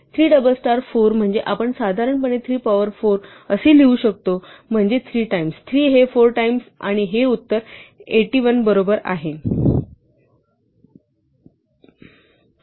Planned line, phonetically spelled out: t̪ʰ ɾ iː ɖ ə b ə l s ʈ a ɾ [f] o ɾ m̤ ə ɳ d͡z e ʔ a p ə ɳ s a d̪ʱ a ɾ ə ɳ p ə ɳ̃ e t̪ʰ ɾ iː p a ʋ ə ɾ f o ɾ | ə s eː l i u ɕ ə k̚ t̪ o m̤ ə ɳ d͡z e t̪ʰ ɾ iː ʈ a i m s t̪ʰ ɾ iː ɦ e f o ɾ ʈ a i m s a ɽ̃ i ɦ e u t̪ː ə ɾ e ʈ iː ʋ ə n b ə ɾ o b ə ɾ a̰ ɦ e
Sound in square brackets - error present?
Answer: no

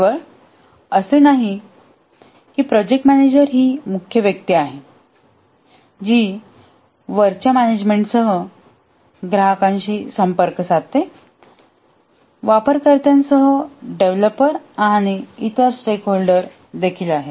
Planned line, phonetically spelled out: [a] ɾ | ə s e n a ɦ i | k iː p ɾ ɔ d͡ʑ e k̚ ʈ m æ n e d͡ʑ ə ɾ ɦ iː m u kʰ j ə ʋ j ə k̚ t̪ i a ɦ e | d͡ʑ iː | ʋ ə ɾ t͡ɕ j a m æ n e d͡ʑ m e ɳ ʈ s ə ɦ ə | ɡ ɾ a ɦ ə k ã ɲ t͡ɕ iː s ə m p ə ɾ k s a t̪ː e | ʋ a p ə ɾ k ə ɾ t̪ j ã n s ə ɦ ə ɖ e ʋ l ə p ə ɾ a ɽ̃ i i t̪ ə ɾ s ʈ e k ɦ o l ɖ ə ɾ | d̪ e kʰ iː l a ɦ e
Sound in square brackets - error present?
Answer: yes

